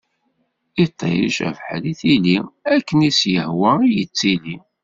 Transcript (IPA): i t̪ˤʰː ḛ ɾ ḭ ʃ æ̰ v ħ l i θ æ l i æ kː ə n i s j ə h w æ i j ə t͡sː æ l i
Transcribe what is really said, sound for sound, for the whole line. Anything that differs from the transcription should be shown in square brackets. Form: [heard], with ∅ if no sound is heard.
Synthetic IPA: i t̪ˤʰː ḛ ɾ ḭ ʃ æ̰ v ħ l i θ [i] l i æ kː ə n i s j ə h w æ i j ə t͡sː [i] l i